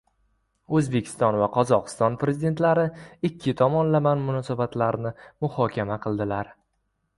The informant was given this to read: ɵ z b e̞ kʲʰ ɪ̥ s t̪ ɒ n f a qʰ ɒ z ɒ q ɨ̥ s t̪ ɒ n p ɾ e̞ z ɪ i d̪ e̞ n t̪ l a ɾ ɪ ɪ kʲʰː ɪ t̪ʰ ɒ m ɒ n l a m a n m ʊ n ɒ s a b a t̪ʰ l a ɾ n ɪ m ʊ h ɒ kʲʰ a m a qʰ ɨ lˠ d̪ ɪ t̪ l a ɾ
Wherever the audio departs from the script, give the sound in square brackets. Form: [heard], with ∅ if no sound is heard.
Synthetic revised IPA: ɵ z b e̞ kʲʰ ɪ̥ s t̪ ɒ n [v] a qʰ ɒ z ɒ q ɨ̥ s t̪ ɒ n p ɾ e̞ z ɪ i d̪ e̞ n t̪ l a ɾ ɪ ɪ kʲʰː ɪ t̪ʰ ɒ m ɒ n l a m a n m ʊ n ɒ s a b a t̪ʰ l a ɾ n ɪ m ʊ h ɒ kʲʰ a m a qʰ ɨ lˠ d̪ ɪ [∅] l a ɾ